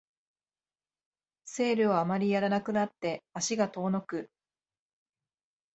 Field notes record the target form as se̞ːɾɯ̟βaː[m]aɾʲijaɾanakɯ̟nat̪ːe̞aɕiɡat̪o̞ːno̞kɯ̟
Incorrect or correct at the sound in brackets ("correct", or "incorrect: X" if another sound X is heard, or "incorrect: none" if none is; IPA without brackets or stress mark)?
correct